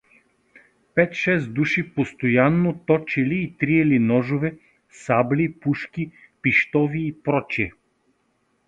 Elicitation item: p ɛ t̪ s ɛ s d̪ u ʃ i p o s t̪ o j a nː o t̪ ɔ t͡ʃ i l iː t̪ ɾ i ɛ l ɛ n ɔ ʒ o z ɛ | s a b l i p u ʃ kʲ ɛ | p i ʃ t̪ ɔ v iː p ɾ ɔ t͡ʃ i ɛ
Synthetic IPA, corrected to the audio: p ɛ t̪ ʃ ɛ s d̪ u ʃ i p o s t̪ o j a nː o t̪ ɔ t͡ʃ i l iː t̪ ɾ i ɛ l i n ɔ ʒ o v ɛ | s a b l i p u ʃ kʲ i | p i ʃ t̪ ɔ v iː p ɾ ɔ t͡ʃ i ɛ